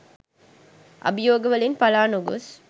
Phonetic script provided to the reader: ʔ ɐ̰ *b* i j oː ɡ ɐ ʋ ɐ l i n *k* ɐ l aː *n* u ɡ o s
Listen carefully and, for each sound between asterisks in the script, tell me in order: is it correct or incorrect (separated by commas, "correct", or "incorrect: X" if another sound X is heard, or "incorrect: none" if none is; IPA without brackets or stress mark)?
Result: correct, incorrect: p, correct